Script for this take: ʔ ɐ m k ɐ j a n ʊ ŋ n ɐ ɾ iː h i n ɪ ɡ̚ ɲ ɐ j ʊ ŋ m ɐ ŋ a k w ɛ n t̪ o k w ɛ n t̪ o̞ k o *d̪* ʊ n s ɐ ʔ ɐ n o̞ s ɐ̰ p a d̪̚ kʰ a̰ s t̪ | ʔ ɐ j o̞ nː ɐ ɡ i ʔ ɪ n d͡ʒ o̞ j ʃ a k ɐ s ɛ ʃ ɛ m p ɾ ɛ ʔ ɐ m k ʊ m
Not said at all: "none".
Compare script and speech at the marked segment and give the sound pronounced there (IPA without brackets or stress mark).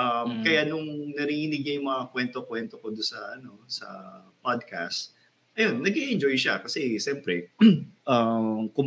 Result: d̪